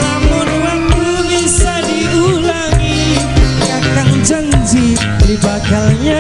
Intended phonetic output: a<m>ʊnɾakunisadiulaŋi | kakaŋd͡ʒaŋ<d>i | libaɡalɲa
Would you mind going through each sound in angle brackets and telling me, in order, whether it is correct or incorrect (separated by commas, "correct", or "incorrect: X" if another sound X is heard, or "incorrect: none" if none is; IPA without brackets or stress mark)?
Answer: correct, incorrect: d͡ʒ